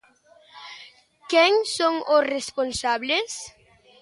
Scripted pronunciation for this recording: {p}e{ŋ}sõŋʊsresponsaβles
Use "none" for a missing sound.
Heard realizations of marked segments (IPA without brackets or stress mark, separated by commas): k, ŋ